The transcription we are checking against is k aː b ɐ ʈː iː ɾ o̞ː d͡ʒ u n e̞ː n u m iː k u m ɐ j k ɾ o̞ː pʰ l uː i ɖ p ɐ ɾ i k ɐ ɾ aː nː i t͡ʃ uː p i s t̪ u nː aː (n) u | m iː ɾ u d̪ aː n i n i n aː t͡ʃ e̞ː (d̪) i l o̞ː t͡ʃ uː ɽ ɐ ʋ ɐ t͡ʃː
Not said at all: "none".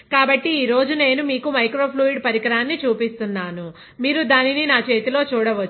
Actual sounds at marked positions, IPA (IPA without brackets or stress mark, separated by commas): n, t̪